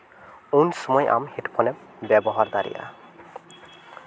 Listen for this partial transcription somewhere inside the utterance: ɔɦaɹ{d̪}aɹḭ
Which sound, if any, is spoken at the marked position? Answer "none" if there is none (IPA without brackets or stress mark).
d̪